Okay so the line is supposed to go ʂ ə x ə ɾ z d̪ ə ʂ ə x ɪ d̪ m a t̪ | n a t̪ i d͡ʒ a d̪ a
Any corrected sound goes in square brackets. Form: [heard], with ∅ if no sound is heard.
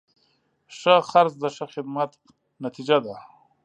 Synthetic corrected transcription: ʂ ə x [a] ɾ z d̪ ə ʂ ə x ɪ d̪ m a t̪ | n a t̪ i d͡ʒ a d̪ a